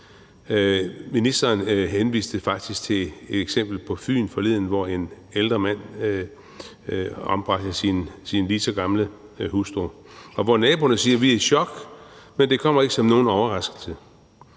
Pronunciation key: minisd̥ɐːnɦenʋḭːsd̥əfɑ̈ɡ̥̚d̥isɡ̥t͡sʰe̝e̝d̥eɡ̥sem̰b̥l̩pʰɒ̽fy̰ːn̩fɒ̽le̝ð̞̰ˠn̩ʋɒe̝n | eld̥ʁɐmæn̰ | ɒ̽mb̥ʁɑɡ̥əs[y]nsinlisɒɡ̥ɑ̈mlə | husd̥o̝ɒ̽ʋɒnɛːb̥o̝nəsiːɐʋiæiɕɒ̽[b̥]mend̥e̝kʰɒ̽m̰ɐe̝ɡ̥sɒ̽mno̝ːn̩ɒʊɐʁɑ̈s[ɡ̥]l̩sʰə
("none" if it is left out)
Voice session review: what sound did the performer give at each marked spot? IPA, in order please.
i, ɡ̥, ɡ̥

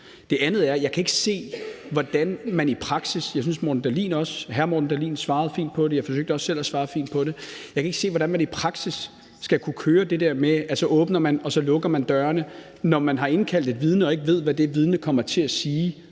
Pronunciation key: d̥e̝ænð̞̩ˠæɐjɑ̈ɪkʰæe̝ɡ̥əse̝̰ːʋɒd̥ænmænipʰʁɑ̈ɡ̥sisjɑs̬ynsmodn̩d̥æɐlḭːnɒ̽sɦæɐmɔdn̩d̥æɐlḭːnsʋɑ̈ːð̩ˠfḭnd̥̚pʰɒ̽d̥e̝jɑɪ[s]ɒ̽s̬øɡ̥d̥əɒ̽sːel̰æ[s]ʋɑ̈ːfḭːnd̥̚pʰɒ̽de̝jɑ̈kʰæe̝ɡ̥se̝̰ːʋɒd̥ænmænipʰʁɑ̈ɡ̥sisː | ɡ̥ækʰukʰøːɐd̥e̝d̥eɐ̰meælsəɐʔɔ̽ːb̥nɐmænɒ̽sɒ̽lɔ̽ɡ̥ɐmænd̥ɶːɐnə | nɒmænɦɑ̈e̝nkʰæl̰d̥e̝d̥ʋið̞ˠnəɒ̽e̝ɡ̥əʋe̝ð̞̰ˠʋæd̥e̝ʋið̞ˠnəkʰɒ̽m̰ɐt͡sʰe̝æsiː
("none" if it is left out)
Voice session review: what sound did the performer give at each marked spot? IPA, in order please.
f, s

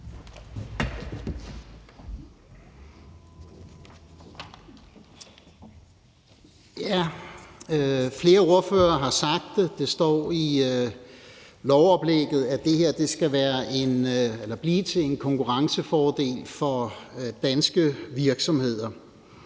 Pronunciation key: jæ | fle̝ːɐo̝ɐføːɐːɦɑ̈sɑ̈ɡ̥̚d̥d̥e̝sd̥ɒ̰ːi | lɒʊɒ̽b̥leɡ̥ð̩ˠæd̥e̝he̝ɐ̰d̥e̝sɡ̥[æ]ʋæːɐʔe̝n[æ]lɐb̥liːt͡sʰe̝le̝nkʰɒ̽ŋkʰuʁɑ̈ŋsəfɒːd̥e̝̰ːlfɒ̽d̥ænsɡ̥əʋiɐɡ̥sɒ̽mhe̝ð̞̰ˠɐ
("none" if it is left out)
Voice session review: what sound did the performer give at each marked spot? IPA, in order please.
æ, e

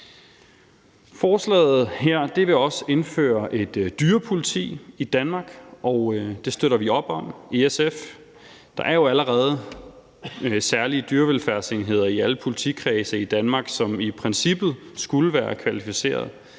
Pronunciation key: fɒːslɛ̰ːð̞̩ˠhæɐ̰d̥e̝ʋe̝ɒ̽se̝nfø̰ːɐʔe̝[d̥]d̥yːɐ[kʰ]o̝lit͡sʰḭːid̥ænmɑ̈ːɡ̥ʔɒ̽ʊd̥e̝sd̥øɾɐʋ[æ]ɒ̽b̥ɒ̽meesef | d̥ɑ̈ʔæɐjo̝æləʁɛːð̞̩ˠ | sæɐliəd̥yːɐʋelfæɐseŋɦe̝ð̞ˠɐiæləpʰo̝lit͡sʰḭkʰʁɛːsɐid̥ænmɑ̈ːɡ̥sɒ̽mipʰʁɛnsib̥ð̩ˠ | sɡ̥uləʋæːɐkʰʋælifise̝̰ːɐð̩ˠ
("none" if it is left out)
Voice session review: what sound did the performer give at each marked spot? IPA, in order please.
d̥, pʰ, i

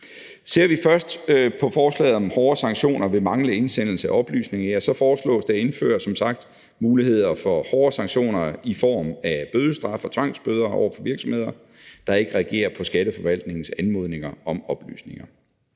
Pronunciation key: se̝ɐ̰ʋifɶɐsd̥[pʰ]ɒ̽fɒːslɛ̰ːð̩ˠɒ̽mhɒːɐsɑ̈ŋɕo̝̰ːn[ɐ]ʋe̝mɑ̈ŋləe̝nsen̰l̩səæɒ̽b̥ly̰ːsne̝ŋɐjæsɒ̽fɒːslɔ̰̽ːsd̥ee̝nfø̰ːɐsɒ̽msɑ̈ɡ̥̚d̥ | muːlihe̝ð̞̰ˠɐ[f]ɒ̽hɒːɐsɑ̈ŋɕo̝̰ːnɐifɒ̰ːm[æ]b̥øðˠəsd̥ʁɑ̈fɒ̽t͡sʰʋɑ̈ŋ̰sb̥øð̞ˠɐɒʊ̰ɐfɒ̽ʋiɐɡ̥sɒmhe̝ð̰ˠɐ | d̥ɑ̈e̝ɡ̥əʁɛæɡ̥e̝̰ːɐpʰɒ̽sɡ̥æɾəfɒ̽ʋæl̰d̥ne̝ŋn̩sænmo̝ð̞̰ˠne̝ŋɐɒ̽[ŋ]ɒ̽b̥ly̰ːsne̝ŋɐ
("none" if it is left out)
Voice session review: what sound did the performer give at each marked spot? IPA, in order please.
pʰ, ɐ, f, æ, m

